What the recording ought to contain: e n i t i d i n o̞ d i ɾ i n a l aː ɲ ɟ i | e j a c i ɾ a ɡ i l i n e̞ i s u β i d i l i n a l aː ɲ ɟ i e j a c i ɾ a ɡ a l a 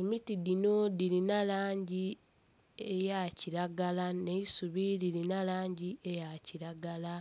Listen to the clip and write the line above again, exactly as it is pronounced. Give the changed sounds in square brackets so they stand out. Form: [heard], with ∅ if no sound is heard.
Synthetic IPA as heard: e [m] i t i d i n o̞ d i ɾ i n a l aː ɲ ɟ i | e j a c i ɾ a ɡ [a] l [a] n e̞ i s u β i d i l i n a l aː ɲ ɟ i e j a c i ɾ a ɡ a l a